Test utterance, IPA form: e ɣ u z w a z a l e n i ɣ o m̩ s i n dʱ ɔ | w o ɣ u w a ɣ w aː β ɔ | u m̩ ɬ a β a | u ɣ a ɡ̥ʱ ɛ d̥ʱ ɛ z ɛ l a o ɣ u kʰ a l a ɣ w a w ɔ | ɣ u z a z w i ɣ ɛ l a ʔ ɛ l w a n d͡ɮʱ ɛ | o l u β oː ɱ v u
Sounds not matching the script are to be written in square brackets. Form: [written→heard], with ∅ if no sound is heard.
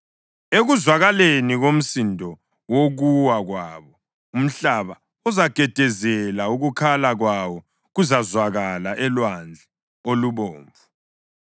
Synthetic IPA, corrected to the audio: e ɣ u z w a [z→ɣ] a l e n i ɣ o m̩ s i n dʱ ɔ | w o ɣ u w a ɣ w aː β ɔ | u m̩ ɬ a β a | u [ɣ→z] a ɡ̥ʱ ɛ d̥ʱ ɛ z ɛ l a [o→u] ɣ u kʰ a l a ɣ w a w ɔ | ɣ u z a z w [i→a] ɣ [ɛ→a] l a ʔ ɛ l w a n d͡ɮʱ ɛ | o l u β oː ɱ v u

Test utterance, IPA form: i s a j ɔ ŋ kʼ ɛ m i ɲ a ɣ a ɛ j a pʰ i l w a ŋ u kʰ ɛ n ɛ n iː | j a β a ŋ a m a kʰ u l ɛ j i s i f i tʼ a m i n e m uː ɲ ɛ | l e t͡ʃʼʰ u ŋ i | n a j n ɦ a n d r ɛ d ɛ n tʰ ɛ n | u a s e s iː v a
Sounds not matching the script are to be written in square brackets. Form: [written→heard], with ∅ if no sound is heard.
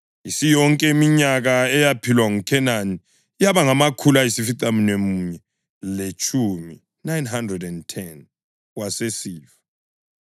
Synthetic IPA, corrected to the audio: i s [a→i] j ɔ ŋ kʼ ɛ m i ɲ a ɣ a ɛ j a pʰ i l w a ŋ u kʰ ɛ n [ɛ→a] n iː | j a β a ŋ a m a kʰ u l [ɛ→a] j i s i f i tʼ a m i n e m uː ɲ ɛ | l e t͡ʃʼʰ u [ŋ→m] i | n a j n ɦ a n d r ɛ d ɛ n tʰ ɛ n | [u→w] a s e s iː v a

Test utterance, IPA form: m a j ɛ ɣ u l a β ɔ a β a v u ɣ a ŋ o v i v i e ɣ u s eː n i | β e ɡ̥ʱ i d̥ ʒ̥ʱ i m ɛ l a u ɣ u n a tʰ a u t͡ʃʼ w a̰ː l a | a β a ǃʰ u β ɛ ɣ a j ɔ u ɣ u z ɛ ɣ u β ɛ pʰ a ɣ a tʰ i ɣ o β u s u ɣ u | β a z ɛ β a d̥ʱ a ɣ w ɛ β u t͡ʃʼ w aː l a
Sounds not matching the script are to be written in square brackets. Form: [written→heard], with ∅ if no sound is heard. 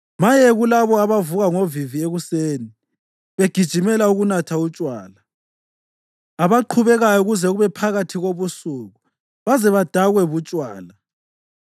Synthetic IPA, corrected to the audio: m a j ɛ ɣ u l a β ɔ a β a v u ɣ a ŋ o v i v i e ɣ u s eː n i | β e ɡ̥ʱ i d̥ ʒ̥ʱ i m ɛ l a u ɣ u n a tʰ a u t͡ʃʼ w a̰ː l a | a β a ǃʰ u β ɛ ɣ a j ɔ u ɣ u z ɛ ɣ u β ɛ pʰ a ɣ a tʰ i ɣ o β u s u ɣ u | β a z ɛ β a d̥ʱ a ɣ w ɛ β u t͡ʃʼ w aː l a

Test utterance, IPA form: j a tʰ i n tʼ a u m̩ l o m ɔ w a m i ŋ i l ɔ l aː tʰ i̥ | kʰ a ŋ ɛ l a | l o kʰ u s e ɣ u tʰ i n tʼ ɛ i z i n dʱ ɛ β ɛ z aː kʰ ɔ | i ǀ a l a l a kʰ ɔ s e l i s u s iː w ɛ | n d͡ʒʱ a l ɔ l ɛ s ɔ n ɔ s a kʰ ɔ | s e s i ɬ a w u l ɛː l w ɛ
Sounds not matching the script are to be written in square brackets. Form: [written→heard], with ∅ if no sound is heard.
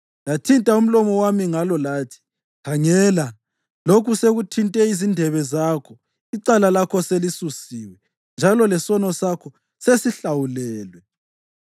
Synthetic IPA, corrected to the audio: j a tʰ i n tʼ a u m̩ l [o→ɔ] m ɔ w a m i ŋ [i→a] l ɔ l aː tʰ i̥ | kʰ a ŋ ɛ l a | l o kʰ u s e ɣ u tʰ i n tʼ ɛ i z i n dʱ ɛ β ɛ z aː kʰ ɔ | i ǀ a l a l a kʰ ɔ s e l i s u s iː w ɛ | n d͡ʒʱ a l ɔ l ɛ s ɔ n ɔ s a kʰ ɔ | s e s i ɬ a w u l ɛː l w ɛ

